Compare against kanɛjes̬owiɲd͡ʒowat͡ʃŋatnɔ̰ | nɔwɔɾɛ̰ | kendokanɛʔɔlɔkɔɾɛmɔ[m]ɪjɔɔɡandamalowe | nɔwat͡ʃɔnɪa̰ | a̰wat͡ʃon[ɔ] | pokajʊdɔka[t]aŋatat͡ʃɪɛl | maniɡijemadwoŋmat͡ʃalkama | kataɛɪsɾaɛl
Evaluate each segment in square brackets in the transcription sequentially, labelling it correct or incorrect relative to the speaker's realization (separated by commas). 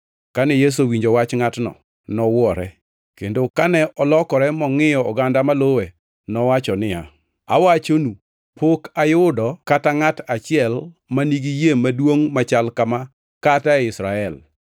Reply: incorrect, incorrect, correct